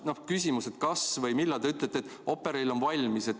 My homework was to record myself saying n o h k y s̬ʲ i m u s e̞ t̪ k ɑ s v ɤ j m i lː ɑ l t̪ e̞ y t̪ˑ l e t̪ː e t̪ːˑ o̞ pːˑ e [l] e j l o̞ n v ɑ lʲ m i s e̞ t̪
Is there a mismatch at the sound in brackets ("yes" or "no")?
yes